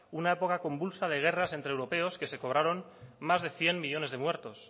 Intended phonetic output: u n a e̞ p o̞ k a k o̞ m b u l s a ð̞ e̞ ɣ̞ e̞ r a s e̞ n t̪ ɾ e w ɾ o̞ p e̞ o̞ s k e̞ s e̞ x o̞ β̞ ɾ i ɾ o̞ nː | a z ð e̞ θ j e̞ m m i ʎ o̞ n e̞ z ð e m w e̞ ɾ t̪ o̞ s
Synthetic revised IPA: u n a e̞ p o̞ k a k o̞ m b u l s a ð̞ e̞ ɣ̞ e̞ r a s e̞ n t̪ ɾ e w ɾ o̞ p e̞ o̞ s k e̞ s e̞ k o̞ β̞ ɾ a ɾ o̞ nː | a z ð e̞ θ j e̞ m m i ʎ o̞ n e̞ z ð e m w e̞ ɾ t̪ o̞ s